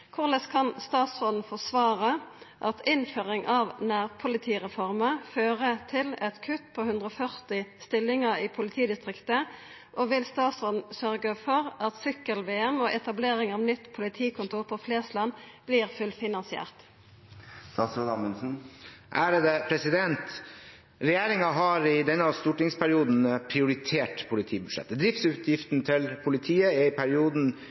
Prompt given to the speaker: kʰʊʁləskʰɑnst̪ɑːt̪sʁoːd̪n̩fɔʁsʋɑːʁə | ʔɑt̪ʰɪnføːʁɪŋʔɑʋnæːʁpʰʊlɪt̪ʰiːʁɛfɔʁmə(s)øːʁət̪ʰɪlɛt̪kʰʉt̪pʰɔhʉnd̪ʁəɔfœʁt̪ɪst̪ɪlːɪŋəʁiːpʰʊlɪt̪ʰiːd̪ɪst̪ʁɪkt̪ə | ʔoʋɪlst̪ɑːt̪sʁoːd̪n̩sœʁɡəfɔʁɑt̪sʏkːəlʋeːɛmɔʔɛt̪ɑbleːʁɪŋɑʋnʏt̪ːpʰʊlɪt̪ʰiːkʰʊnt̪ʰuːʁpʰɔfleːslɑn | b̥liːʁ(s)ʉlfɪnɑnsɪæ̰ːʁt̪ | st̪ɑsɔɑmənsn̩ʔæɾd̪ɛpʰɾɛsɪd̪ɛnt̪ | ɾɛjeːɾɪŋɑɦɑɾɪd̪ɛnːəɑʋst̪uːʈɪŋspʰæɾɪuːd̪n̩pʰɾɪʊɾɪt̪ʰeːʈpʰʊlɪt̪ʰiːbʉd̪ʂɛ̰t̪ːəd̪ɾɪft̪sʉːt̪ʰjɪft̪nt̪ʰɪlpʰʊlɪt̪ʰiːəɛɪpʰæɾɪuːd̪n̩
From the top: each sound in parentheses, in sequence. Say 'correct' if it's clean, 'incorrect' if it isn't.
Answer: incorrect: f, incorrect: f

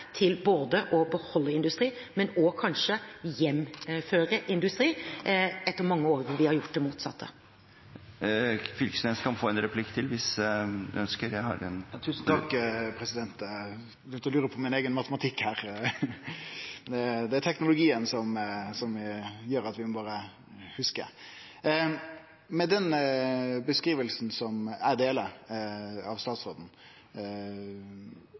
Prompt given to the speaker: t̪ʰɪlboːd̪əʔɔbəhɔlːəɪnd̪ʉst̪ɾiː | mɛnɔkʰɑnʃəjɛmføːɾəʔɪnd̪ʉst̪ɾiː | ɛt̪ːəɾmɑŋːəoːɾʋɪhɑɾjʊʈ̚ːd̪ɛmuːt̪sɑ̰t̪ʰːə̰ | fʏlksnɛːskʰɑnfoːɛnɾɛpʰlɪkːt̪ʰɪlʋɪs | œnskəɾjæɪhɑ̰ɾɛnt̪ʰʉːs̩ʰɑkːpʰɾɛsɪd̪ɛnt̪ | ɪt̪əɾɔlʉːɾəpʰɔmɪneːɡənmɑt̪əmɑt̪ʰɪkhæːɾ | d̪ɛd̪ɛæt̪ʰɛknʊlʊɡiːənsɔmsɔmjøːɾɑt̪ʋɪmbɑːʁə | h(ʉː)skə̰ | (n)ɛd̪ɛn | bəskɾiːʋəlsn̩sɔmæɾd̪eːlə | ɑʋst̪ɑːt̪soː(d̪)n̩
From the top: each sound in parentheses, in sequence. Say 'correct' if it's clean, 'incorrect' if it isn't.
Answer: incorrect: ʉ, incorrect: m, correct

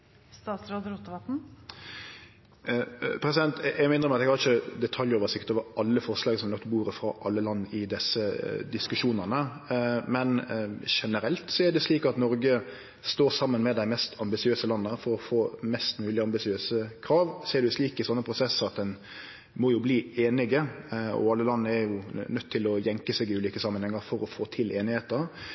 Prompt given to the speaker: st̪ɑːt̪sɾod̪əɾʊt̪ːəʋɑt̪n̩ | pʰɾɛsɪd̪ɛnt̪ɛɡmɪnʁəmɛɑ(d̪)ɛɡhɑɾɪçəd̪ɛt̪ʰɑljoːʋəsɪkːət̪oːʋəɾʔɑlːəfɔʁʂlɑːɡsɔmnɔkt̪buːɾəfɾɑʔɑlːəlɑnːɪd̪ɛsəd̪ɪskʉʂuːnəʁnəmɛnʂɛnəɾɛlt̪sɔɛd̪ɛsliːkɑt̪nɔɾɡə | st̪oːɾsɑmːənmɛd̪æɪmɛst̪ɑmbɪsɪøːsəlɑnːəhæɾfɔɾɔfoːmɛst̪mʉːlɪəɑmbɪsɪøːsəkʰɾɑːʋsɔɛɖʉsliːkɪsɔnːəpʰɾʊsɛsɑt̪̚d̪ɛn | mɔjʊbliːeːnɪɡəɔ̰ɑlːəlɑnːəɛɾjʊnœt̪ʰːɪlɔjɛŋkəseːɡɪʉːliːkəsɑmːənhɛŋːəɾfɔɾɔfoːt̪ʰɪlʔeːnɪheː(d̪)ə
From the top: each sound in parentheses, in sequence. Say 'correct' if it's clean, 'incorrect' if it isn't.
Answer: incorrect: t̪, incorrect: t̪

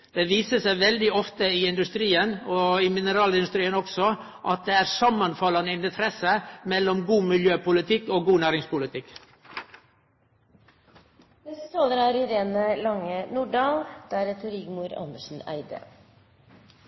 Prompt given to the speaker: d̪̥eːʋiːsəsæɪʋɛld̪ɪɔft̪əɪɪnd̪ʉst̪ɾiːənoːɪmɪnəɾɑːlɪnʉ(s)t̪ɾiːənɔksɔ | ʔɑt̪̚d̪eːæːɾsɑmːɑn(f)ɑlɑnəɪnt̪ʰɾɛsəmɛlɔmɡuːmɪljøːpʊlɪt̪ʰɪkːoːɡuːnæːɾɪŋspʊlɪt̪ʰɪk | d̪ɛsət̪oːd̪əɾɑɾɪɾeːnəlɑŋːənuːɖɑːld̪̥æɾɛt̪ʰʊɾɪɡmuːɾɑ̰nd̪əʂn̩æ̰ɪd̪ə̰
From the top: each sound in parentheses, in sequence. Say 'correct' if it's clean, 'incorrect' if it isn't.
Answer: correct, correct

